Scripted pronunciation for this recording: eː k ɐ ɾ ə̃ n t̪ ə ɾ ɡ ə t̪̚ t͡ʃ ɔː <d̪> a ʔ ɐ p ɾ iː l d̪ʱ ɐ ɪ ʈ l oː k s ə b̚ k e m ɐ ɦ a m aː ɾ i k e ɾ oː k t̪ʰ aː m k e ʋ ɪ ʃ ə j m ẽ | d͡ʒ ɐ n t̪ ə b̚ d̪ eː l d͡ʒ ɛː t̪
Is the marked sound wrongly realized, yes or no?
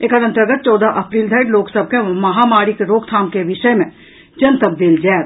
no